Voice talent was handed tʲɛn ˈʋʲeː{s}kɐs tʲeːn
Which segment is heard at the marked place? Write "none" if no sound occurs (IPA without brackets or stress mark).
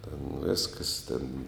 s